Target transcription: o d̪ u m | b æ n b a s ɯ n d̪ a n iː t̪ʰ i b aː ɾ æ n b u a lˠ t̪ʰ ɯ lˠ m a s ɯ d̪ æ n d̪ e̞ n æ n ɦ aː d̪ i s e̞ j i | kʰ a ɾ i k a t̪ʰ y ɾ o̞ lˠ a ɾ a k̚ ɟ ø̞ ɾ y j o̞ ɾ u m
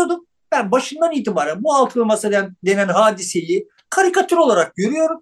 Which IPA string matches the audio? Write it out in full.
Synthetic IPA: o d̪ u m | b æ n b a ʃ ɯ n d̪ a n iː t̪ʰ i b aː ɾ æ n b u a lˠ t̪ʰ ɯ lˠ m a s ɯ d̪ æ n d̪ e̞ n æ n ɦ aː d̪ i s e̞ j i | kʰ a ɾ i k a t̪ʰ y ɾ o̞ lˠ a ɾ a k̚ ɟ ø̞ ɾ y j o̞ ɾ u m